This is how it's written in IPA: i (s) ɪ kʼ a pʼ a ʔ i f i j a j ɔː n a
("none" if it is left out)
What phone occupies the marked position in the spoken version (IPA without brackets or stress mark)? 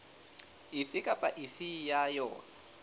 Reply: f